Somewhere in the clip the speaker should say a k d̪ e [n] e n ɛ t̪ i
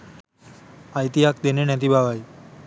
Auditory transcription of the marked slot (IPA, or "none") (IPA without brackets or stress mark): n